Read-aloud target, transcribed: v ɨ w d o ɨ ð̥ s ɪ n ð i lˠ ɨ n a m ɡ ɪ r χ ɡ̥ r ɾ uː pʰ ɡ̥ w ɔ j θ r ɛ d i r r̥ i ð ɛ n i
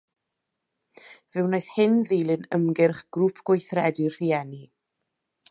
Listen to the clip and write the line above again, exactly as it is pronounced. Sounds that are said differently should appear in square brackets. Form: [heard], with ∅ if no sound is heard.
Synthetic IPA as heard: v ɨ w [n] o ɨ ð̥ [h] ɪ n ð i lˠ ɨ n [ə] m ɡ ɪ r χ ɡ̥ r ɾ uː pʰ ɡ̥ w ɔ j θ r ɛ d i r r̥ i [∅] ɛ n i